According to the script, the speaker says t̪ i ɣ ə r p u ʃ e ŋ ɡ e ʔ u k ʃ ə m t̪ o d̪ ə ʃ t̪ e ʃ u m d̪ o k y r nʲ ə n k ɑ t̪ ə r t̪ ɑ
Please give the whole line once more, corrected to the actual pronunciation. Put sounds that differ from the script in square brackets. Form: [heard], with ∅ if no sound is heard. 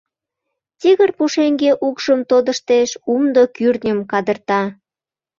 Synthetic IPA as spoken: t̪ i ɣ ə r p u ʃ e ŋ ɡ e ʔ u k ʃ ə m t̪ o d̪ ə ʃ t̪ e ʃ u m d̪ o k y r nʲ ə [m] k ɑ [d̪] ə r t̪ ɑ